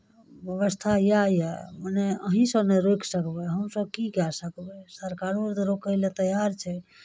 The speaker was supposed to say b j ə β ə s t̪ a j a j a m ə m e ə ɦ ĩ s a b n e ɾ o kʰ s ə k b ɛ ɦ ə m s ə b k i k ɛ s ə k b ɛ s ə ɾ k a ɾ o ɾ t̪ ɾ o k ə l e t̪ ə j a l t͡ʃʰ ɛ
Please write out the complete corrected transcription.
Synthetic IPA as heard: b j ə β ə s t̪ʰ a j a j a m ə n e ə ɦ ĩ s ə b n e ɾ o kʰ s ə k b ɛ ɦ ə m s ə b k i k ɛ s ə k b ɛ s ə ɾ k a ɾ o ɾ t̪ ɾ o k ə l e t̪ ə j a ɾ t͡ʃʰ ɛ

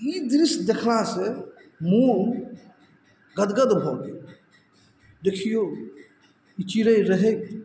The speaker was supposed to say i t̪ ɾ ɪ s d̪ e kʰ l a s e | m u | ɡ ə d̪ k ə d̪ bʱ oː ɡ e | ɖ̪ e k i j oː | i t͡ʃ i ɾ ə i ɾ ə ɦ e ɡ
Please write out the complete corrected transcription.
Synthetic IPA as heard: i d̪ ɾ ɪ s d̪ e kʰ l a s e | m u | ɡ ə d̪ ɡ ə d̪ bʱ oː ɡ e | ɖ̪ e kʰ i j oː | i t͡ʃ i ɾ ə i ɾ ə ɦ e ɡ

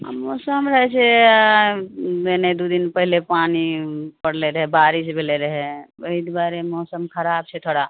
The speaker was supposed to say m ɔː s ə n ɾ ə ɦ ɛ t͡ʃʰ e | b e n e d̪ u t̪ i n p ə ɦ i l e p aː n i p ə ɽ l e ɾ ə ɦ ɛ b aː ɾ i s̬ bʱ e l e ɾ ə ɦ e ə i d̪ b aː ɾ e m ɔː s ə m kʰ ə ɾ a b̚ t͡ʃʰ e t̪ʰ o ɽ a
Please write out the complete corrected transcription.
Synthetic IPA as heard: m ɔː s ə m ɾ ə ɦ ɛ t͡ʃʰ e | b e n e d̪ u d̪ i n p ə ɦ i l e p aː n i p ə ɽ l e ɾ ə ɦ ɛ b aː ɾ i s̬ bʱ e l e ɾ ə ɦ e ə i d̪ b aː ɾ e m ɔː s ə m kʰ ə ɾ a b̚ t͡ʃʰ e t̪ʰ o ɽ a

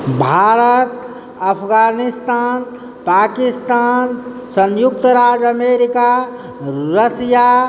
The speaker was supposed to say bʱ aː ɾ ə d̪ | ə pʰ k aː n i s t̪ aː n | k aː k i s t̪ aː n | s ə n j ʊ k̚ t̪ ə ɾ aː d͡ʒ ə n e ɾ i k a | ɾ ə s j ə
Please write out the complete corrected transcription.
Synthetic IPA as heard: bʱ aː ɾ ə t̪ | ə pʰ ɡ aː n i s t̪ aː n | p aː k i s t̪ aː n | s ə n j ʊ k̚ t̪ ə ɾ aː d͡ʒ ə m e ɾ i k a | ɾ ə s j a

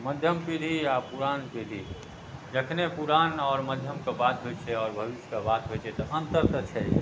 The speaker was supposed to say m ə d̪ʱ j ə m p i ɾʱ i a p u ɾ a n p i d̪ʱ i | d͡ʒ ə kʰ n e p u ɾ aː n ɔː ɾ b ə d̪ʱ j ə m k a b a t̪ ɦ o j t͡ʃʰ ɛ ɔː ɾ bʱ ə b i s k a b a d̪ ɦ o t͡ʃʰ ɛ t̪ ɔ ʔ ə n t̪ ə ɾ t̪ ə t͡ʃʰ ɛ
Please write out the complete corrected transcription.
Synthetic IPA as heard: m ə d̪ʱ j ə m p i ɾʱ i a p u ɾ a n p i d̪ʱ i | d͡ʒ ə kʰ n e p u ɾ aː n ɔː ɾ m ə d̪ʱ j ə m k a b a t̪ ɦ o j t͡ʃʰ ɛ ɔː ɾ bʱ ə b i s k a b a t̪ ɦ o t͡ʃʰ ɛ t̪ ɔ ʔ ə n t̪ ə ɾ t̪ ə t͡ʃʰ ɛ

